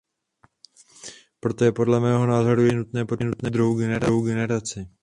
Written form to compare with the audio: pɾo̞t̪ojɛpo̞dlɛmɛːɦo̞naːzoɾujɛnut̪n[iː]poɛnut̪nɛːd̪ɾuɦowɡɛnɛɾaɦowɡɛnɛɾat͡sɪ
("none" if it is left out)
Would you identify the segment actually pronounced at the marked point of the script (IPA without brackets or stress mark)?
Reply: ɛː